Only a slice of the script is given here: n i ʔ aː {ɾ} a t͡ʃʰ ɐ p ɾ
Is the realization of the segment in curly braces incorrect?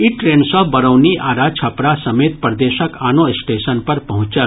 no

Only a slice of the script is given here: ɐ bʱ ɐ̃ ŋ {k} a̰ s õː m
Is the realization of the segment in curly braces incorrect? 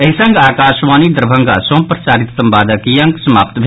yes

